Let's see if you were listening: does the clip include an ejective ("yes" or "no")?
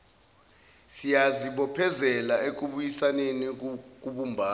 no